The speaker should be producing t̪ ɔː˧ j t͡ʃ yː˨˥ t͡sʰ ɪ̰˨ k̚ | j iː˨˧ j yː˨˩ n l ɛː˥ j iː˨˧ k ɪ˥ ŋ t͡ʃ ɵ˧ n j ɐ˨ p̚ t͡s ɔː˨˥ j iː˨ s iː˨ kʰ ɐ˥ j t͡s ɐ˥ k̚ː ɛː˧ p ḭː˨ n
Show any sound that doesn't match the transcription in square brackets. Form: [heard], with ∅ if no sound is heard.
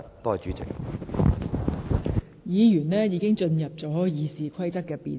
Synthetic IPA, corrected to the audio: t̪ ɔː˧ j t͡ʃ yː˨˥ [t͡s] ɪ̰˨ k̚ | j iː˨˧ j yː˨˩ n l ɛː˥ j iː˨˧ k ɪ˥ ŋ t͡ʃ ɵ˧ n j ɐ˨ p̚ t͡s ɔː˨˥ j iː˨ s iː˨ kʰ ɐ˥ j t͡s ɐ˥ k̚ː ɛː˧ p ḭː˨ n

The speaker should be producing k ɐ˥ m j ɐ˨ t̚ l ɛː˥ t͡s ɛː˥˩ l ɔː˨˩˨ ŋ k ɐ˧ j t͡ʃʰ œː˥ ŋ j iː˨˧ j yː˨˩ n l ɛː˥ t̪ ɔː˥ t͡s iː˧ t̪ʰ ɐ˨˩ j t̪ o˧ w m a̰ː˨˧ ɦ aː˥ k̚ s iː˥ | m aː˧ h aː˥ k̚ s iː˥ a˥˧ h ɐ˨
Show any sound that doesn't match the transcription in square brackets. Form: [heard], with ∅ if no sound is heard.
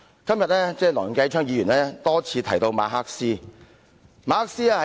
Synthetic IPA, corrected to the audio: k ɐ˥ m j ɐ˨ t̚ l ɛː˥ t͡s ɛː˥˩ l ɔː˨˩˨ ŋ k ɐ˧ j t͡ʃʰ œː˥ ŋ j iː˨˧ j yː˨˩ n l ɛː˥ t̪ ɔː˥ [t͡sʰ] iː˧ t̪ʰ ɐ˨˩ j t̪ o˧ w m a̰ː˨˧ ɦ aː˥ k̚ s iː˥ | m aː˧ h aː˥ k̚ s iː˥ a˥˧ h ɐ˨

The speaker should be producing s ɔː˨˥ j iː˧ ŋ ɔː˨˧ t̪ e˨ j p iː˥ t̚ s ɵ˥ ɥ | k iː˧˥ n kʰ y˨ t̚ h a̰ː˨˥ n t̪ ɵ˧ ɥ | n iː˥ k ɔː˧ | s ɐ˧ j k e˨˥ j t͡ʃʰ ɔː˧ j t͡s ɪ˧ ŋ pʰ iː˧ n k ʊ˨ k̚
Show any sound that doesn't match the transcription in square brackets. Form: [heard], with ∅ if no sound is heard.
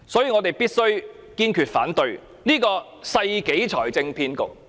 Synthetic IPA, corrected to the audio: s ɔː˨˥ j iː˧ ŋ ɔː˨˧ t̪ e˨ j p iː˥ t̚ s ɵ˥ ɥ | k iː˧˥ n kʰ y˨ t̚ [f] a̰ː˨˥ n t̪ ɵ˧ ɥ | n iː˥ k ɔː˧ | s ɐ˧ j k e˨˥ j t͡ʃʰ [ɔː˨˩] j t͡s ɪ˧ ŋ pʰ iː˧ n k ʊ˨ k̚

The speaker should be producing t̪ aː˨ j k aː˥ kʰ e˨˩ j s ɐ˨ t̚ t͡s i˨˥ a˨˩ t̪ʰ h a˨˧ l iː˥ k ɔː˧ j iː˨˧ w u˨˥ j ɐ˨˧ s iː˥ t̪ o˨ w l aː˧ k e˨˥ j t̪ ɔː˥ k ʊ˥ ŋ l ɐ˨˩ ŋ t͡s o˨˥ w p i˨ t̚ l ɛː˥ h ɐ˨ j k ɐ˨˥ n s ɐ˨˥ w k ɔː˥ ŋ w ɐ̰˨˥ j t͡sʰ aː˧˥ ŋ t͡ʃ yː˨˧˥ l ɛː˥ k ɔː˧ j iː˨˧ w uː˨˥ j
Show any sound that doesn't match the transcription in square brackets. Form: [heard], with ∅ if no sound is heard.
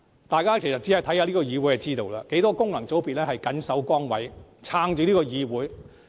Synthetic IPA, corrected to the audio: t̪ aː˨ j k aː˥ kʰ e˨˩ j s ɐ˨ t̚ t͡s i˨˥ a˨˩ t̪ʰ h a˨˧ l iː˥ k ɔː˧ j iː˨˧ w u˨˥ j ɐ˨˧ [t͡s] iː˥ t̪ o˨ w l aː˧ k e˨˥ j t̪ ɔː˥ k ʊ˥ ŋ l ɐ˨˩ ŋ t͡s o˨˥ w p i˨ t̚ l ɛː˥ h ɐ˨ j k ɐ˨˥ n s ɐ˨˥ w k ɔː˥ ŋ w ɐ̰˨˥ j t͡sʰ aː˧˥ ŋ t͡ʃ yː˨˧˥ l [iː˥] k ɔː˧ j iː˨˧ w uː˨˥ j

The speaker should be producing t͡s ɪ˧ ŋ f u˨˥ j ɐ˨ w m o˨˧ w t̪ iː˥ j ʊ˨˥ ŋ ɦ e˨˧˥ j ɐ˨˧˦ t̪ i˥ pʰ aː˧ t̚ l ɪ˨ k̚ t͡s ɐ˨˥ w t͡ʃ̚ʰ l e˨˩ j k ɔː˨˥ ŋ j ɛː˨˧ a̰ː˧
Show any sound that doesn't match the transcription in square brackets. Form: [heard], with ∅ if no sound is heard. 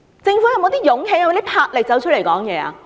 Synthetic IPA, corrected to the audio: t͡s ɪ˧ ŋ f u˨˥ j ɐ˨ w m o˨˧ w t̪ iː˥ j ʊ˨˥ ŋ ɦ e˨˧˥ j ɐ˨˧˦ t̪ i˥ pʰ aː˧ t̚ l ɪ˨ k̚ t͡s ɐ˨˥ w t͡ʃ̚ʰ l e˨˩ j k ɔː˨˥ ŋ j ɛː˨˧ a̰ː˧

